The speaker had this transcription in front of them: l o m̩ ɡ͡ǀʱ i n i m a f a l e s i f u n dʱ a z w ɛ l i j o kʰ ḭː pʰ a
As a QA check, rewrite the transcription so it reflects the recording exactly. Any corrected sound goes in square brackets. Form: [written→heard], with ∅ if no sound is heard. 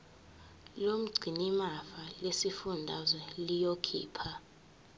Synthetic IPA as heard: l o m̩ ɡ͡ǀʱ i n i m a f a l e s i f u n dʱ a z w ɛ l i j o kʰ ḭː pʰ a